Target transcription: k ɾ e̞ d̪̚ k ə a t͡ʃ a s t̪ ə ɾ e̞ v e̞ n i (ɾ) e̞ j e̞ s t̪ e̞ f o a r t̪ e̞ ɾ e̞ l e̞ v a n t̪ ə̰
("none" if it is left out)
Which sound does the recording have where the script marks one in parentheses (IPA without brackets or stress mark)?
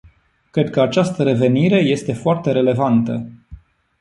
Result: ɾ